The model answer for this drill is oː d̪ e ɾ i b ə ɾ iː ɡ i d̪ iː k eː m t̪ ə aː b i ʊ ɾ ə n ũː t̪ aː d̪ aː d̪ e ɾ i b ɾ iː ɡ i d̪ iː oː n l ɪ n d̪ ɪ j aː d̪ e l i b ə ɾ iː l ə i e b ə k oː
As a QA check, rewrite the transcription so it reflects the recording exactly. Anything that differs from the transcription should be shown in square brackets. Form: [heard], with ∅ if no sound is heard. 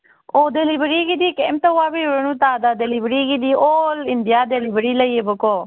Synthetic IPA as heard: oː d̪ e [l] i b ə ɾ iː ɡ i d̪ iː k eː m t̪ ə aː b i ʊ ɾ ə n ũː t̪ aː d̪ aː d̪ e [l] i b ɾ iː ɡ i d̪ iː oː [∅] l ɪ n d̪ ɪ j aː d̪ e l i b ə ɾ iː l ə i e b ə k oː